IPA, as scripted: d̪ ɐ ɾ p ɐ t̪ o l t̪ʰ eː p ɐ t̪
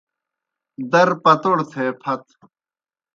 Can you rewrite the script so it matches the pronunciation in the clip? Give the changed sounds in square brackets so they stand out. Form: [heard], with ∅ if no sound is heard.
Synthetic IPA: d̪ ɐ ɾ p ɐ t̪ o [ɽ] t̪ʰ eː [pʰ] ɐ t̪

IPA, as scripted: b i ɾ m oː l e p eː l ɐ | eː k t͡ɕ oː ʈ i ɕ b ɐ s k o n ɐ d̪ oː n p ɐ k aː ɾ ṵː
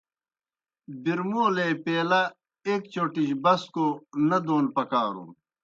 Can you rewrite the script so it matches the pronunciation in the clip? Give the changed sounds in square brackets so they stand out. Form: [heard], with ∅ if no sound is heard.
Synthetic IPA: b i ɾ m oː l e p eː l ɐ | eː k t͡ɕ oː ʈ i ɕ b ɐ s k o n ɐ d̪ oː n p ɐ k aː ɾ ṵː

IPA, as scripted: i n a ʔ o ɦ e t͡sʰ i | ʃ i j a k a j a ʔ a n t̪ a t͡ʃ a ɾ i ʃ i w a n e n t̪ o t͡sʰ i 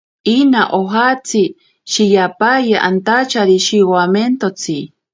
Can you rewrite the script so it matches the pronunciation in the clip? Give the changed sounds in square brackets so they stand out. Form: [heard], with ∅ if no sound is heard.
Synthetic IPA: i n a ʔ o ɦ [a] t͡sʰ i | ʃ i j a [p] a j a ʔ a n t̪ a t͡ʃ a ɾ i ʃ i w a [m] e n t̪ o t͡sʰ i

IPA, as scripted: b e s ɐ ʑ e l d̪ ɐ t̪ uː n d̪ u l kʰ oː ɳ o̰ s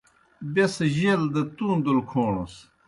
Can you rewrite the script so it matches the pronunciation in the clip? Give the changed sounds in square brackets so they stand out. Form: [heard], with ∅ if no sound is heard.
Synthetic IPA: b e s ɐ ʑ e l d̪ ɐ t̪ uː n d̪ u l kʰ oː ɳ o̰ s

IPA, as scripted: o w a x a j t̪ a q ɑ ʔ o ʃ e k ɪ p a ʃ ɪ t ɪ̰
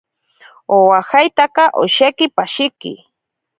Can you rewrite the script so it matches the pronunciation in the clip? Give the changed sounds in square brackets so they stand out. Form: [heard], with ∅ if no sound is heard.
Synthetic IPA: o w a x a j t̪ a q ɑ ʔ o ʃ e k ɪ p a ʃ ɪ [k] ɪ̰

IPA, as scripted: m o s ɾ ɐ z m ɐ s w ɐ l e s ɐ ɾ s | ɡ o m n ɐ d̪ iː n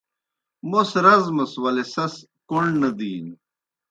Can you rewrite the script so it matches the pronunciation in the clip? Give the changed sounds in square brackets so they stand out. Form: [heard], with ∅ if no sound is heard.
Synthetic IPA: m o s ɾ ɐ z m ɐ s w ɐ l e s ɐ [∅] s | [k] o [ɳ] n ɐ d̪ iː n

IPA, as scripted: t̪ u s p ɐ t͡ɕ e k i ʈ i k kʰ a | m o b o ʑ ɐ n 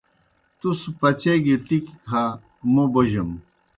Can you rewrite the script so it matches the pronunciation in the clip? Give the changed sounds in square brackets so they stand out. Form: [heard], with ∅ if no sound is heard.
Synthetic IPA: t̪ u s p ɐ t͡ɕ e [ɡ] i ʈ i k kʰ a | m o b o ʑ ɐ [m]

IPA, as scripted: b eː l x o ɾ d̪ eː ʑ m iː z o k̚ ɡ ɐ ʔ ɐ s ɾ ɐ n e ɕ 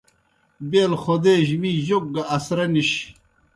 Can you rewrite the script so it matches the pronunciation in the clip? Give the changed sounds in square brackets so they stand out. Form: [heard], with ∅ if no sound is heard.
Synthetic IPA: b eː l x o [∅] d̪ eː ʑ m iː [ʑ] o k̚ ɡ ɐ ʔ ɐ s ɾ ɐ n [i] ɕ

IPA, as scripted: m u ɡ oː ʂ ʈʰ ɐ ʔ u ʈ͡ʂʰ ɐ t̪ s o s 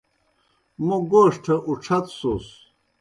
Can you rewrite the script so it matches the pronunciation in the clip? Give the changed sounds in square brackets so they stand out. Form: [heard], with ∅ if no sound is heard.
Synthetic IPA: m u ɡ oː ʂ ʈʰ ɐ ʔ u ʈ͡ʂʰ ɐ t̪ s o s

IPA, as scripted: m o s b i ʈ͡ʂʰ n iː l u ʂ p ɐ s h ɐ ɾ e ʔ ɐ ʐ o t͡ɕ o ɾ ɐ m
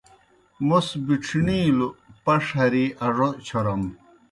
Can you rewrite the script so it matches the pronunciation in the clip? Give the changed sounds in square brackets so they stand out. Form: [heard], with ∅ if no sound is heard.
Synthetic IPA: m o s b i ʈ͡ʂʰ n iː l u [∅] p ɐ [ʂ] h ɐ ɾ [i] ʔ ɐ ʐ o [t͡ɕʰ] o ɾ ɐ m

